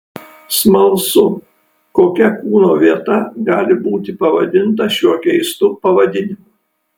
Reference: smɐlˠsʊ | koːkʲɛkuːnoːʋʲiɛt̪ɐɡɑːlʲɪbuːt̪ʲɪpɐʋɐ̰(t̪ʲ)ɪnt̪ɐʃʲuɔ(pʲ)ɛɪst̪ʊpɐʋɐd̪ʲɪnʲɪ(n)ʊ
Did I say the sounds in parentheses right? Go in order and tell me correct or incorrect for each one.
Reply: incorrect: d̪ʲ, incorrect: kʲ, incorrect: m

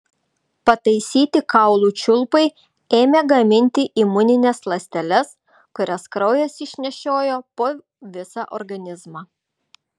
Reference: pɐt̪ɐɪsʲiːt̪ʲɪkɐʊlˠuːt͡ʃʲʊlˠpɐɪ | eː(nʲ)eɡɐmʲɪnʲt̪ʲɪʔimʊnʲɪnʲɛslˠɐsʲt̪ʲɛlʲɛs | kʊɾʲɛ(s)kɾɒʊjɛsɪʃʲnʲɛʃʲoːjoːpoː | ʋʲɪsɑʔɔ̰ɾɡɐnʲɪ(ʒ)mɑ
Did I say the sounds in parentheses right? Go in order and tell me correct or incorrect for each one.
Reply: incorrect: mʲ, correct, incorrect: z

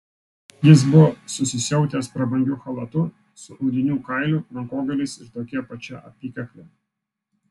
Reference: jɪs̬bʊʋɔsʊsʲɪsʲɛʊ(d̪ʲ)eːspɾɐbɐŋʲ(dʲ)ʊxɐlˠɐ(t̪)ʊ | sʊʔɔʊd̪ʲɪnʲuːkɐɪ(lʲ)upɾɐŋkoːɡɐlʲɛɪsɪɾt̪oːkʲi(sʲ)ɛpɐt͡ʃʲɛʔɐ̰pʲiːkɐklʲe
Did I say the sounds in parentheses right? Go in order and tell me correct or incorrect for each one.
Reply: incorrect: t̪ʲ, incorrect: ɡʲ, correct, correct, incorrect: none

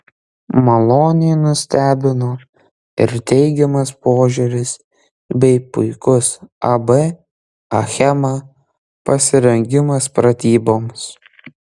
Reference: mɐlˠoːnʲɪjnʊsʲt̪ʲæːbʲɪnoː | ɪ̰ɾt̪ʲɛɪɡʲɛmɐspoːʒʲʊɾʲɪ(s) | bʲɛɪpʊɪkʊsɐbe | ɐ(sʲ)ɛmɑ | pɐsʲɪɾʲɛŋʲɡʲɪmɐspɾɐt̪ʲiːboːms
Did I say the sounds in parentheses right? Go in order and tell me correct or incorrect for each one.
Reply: correct, incorrect: xʲ

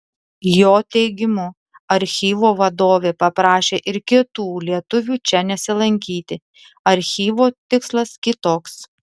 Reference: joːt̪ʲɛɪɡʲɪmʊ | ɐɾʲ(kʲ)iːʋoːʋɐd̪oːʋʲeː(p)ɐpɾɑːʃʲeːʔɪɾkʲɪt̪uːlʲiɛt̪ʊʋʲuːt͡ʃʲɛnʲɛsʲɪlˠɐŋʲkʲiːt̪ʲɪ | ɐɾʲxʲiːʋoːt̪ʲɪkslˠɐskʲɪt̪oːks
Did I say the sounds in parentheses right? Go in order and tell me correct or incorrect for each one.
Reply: incorrect: xʲ, correct

